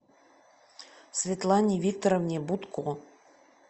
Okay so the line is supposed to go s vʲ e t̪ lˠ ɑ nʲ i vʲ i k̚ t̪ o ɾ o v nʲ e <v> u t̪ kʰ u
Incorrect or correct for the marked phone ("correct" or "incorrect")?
incorrect